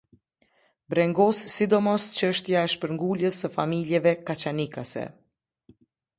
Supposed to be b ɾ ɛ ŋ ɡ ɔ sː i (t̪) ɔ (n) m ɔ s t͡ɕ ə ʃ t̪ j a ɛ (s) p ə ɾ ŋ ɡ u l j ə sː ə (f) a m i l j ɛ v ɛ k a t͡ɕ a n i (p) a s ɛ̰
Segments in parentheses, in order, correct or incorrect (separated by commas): incorrect, incorrect, incorrect, correct, incorrect